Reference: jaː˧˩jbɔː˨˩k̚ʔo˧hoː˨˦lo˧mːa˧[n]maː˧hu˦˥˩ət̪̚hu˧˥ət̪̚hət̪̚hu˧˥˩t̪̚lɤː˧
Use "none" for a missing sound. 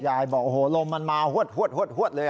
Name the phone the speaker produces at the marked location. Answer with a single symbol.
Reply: n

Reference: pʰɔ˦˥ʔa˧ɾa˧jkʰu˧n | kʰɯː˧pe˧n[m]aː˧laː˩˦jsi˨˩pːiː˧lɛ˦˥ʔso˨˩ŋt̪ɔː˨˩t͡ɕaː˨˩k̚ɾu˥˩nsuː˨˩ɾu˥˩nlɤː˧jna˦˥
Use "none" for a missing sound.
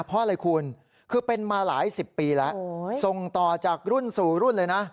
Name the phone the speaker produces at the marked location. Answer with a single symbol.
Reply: m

